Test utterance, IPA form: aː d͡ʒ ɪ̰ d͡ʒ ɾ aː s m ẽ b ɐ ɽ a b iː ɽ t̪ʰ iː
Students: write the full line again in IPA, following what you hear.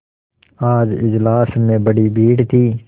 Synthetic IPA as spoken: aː d͡ʒ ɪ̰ d͡ʒ l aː s m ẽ b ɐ ɽ i b iː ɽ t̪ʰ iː